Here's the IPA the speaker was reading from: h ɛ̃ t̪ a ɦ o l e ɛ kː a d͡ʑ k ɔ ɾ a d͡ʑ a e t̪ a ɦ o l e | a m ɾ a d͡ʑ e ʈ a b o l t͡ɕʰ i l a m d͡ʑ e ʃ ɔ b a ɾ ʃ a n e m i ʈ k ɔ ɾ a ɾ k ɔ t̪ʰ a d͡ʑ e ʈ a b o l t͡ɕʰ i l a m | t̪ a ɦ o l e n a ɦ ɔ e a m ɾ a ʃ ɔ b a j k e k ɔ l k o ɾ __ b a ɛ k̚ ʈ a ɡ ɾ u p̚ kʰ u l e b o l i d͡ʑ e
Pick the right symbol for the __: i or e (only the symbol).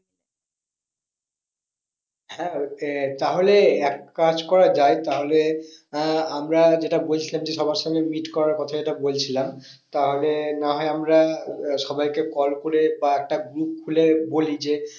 e